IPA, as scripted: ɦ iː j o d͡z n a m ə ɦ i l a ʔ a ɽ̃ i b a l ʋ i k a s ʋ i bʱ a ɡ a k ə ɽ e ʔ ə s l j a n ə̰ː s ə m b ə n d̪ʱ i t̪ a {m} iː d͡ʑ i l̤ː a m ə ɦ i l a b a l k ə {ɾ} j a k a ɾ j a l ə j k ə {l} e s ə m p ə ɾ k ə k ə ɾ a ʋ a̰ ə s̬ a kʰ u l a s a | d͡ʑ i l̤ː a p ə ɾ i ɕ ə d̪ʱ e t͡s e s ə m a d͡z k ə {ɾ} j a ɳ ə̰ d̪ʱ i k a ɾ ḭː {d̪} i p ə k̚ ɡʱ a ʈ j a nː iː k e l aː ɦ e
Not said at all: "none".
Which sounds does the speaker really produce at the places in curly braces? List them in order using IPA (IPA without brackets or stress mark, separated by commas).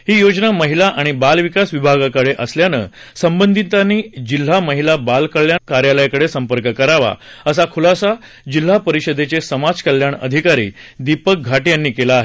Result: n, ɭ, ɽ, l, d̪